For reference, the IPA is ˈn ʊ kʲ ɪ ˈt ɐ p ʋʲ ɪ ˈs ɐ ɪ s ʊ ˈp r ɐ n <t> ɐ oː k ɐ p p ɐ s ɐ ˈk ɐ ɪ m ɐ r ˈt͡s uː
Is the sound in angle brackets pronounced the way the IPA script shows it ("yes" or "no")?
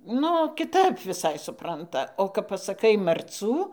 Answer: yes